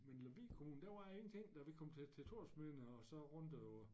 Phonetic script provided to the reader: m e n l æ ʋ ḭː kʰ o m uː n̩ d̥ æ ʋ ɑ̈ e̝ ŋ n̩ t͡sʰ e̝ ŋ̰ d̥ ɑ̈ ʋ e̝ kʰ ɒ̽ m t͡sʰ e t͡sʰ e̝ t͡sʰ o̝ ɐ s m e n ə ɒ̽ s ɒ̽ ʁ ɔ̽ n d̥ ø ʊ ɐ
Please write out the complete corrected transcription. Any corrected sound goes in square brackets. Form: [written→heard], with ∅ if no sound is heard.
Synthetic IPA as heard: m e n l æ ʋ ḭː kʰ o m uː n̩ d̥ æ ʋ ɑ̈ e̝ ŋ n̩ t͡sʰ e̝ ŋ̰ d̥ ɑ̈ ʋ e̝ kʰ ɒ̽ m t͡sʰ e t͡sʰ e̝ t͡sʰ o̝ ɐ s m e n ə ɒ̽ s ɒ̽ ʁ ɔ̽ n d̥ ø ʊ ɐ